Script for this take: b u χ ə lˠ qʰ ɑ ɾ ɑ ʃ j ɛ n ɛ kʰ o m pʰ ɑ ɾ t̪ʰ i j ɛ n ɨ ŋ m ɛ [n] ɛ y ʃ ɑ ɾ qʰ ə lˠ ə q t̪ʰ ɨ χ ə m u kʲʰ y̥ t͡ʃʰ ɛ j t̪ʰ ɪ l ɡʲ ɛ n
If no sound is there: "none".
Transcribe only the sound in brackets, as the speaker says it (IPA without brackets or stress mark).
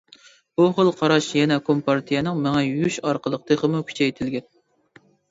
ŋ